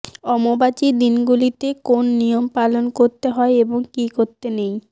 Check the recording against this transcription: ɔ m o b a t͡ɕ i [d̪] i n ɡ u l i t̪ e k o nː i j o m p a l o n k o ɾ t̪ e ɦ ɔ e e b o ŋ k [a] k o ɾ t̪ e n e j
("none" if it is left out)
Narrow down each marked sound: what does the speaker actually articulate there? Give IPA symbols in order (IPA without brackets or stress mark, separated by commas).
d̪, i